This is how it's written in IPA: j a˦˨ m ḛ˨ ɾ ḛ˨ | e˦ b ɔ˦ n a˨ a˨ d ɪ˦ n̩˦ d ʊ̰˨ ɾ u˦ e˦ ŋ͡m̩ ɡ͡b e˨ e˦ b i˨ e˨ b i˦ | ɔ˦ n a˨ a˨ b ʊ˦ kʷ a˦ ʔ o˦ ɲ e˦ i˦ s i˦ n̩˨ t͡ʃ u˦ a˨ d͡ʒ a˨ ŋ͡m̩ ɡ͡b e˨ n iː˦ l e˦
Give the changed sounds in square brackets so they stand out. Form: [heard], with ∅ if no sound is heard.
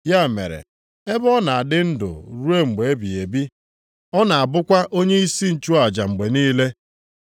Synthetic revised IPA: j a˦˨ m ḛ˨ ɾ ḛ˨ | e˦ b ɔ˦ n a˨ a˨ d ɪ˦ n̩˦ d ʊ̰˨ ɾ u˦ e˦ ŋ͡m̩ ɡ͡b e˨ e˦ b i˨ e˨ b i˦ | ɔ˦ n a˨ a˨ b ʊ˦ kʷ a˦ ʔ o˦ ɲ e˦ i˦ s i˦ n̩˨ t͡ʃ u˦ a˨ d͡ʒ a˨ ŋ͡m̩ ɡ͡b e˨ n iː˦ l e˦